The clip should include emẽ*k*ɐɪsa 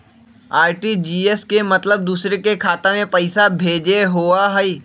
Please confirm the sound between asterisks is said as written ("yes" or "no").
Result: no